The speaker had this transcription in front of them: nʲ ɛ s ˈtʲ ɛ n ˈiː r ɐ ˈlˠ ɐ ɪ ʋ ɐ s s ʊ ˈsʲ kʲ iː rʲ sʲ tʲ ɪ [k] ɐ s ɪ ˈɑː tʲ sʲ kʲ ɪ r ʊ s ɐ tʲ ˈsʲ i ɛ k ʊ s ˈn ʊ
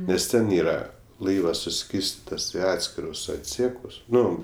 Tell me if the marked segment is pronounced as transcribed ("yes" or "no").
no